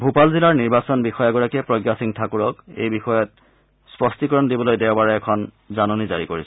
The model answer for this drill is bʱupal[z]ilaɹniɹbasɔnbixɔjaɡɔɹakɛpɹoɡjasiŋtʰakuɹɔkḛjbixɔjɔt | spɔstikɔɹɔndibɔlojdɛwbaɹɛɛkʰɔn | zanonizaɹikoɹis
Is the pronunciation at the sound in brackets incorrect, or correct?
correct